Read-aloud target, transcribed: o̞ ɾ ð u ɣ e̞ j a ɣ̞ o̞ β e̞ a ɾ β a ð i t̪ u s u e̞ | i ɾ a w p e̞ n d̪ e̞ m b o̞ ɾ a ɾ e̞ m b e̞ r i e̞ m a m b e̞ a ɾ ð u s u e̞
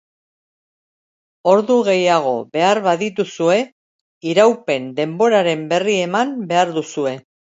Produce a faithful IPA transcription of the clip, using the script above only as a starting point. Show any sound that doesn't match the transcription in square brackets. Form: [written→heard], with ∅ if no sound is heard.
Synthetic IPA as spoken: o̞ ɾ ð u ɣ e̞ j a ɣ̞ o̞ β e̞ a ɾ β a ð i t̪ u s u e̞ | i ɾ a w p e̞ n d̪ e̞ m b o̞ ɾ a ɾ e̞ m b e̞ r i e̞ m a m b e̞ a ɾ ð u s u e̞